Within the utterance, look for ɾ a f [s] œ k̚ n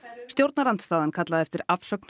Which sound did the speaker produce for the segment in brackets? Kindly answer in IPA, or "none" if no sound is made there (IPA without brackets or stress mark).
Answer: s